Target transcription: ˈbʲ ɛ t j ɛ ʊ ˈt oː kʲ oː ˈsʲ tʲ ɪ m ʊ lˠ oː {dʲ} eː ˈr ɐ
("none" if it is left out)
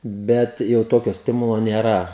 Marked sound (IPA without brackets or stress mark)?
nʲ